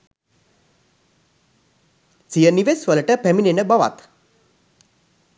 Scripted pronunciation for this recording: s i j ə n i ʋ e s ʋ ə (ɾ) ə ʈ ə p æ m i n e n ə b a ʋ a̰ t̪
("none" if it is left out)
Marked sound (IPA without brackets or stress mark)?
l